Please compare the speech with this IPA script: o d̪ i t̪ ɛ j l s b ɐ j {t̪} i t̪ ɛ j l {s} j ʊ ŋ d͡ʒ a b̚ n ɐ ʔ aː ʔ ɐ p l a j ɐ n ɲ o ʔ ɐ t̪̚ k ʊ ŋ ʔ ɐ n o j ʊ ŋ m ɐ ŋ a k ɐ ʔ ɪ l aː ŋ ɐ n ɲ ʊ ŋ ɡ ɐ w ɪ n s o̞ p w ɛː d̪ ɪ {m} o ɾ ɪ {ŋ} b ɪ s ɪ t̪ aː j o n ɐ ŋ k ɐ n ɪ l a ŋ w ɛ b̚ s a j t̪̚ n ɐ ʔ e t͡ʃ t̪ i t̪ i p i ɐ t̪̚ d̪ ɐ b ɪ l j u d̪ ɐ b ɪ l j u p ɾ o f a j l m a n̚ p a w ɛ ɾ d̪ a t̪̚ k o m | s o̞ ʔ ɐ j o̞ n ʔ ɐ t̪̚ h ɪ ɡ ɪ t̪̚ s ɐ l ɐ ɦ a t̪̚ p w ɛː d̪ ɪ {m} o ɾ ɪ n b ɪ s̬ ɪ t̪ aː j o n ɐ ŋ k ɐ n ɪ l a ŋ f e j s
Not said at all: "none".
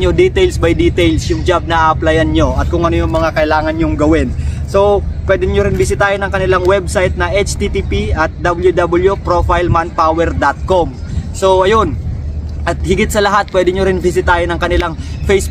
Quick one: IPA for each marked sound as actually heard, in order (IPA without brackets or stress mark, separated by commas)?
d̪, s, ɲ, n, ɲ